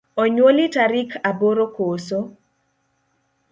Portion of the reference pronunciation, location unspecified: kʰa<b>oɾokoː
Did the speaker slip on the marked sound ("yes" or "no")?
no